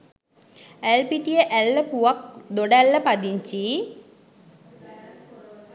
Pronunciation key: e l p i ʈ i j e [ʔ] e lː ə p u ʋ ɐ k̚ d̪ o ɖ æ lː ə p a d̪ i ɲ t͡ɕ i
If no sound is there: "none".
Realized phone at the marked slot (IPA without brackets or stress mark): ʔ